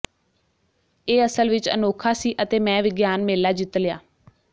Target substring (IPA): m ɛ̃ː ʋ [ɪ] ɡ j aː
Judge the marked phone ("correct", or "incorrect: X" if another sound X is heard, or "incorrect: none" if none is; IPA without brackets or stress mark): correct